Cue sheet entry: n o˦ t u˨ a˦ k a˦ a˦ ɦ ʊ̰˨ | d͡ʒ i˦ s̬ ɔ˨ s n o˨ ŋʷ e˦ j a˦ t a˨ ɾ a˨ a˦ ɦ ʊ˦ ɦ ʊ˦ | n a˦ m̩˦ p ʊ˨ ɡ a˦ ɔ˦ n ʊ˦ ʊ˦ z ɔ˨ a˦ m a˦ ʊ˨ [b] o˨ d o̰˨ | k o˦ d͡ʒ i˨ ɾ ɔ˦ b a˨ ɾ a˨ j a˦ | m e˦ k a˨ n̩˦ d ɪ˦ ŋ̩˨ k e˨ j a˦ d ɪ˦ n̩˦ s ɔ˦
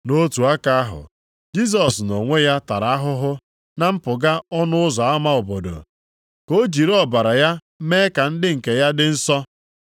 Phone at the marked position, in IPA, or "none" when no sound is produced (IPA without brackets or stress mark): b